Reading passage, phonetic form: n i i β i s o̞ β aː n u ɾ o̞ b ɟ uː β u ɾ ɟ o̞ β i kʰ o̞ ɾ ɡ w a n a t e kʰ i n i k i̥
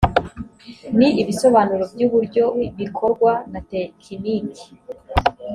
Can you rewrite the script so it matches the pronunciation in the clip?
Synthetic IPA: n i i β i s o̞ β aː n u ɾ o̞ b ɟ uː β u ɾ ɟ o̞ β i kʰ o̞ ɾ ɡ w a n a t e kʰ i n i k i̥